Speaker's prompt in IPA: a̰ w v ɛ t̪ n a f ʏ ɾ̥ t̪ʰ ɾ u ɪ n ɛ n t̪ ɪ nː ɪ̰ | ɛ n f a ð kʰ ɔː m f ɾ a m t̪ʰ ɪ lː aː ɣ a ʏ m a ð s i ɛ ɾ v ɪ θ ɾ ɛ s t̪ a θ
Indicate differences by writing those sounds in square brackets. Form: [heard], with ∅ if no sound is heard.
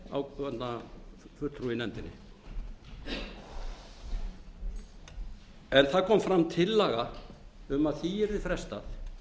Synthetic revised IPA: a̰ w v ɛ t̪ n a f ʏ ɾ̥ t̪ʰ ɾ u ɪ n ɛ n t̪ ɪ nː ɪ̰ | ɛ n [θ] a ð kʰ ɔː m f ɾ a m t̪ʰ ɪ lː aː ɣ a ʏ m a ð [θ] i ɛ ɾ [ð] ɪ [f] ɾ ɛ s t̪ a θ